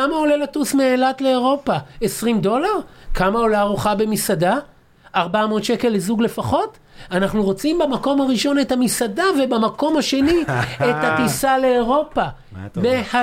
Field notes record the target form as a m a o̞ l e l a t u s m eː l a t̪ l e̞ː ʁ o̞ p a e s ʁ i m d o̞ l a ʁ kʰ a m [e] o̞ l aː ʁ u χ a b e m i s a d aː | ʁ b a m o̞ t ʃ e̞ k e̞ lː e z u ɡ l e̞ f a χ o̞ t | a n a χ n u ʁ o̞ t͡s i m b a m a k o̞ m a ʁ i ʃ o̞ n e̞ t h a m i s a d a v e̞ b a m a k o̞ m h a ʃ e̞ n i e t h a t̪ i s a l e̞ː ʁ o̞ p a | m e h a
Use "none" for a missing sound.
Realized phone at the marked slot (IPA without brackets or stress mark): a